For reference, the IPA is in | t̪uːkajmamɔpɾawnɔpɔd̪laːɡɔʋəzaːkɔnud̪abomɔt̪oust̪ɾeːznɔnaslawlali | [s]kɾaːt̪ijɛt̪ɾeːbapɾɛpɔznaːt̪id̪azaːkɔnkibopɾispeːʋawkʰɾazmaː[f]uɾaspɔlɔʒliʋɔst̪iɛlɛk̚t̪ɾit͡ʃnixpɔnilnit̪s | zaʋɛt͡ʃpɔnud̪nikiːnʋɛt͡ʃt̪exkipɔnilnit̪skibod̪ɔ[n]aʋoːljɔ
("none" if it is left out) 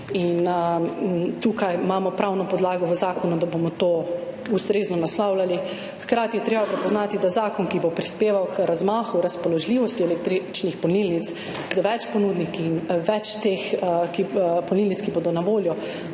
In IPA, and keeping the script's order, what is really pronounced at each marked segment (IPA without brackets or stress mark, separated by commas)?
x, x, n